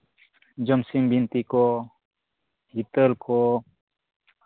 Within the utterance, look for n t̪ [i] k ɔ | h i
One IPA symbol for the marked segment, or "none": i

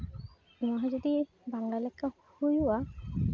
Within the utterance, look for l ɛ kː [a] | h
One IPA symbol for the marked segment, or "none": a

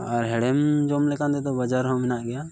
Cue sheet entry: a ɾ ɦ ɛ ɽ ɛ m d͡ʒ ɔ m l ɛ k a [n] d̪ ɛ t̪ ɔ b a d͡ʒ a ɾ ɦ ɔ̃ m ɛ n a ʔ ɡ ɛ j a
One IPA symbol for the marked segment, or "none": n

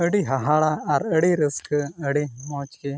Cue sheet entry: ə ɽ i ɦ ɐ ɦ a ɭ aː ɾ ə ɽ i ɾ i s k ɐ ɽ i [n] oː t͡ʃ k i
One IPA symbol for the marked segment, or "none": m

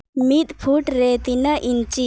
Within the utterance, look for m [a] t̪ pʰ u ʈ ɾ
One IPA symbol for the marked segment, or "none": i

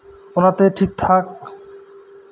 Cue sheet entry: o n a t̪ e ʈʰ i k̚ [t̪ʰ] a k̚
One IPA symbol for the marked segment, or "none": t̪ʰ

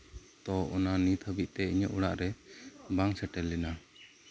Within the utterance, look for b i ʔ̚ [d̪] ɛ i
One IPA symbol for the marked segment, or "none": t̪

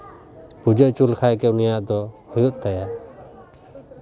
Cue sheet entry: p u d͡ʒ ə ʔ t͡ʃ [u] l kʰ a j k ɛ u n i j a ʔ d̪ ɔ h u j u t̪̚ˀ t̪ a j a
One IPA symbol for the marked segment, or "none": u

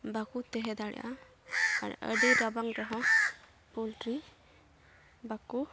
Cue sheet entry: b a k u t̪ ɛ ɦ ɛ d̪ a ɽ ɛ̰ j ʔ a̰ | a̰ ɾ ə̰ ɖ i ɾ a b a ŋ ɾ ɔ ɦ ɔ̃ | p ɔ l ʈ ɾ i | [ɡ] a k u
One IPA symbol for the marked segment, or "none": b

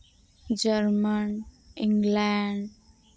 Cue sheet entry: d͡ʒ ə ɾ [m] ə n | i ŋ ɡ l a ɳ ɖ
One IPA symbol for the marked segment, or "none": m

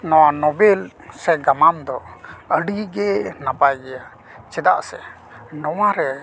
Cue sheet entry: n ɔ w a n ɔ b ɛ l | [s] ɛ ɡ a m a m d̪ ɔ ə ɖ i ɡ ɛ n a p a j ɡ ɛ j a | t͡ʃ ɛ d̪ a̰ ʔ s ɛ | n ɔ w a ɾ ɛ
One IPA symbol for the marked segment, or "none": s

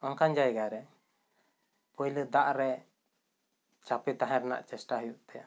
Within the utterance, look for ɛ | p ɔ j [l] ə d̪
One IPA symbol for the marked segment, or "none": l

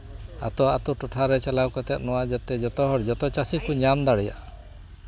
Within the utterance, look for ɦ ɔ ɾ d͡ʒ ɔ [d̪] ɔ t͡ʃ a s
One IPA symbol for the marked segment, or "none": t̪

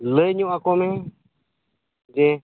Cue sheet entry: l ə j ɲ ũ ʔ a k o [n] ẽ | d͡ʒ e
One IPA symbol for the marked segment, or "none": m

